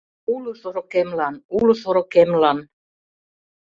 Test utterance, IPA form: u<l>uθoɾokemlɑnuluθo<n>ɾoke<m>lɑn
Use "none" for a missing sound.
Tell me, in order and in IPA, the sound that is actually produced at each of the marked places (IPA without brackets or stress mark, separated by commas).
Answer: l, none, m